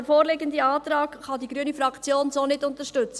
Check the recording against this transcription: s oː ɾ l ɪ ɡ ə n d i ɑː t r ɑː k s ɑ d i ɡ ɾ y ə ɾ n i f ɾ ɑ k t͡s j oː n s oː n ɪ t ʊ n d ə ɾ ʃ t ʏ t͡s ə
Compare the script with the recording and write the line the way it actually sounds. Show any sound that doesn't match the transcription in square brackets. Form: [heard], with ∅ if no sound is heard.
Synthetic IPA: [f] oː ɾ l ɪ ɡ ə n d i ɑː t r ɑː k [χ] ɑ d i ɡ ɾ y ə [∅] n i f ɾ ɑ k t͡s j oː n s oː n ɪ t ʊ n [t] ə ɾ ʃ t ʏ t͡s ə